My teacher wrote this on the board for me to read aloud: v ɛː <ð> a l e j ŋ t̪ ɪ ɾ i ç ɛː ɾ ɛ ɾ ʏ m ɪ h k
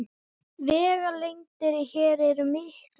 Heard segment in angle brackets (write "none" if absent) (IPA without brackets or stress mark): ɣ